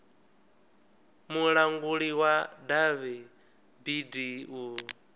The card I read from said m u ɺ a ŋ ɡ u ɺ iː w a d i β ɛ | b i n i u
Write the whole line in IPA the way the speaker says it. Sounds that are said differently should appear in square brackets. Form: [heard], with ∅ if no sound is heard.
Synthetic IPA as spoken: m u ɺ a ŋ ɡ u ɺ [i] w a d [a] β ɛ | b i [d] i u